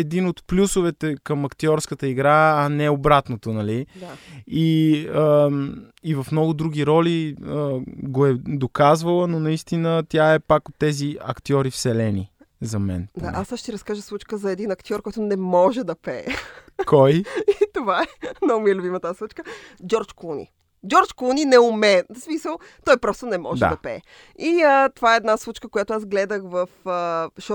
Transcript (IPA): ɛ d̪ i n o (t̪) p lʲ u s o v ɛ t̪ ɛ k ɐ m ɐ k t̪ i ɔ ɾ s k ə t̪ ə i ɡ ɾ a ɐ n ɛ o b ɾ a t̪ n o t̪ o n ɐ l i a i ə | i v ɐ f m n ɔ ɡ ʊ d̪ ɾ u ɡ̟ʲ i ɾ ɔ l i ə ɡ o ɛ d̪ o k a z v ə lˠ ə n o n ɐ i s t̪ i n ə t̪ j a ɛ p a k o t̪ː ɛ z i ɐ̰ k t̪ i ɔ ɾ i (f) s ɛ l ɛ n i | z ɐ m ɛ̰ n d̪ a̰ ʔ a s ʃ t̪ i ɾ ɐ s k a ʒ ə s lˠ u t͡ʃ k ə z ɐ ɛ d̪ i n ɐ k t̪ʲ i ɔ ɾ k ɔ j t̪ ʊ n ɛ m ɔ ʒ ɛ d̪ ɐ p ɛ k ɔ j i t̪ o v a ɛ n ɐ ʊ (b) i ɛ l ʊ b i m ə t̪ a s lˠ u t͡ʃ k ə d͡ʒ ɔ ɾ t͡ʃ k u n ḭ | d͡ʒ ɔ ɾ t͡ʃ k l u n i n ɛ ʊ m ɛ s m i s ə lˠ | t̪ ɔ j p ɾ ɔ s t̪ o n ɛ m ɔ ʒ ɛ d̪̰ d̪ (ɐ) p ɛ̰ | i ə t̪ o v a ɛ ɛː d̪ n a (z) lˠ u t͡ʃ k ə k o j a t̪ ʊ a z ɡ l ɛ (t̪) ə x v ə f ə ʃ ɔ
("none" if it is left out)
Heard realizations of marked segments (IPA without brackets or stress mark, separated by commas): t̪, f, m, ɐ, s, d̪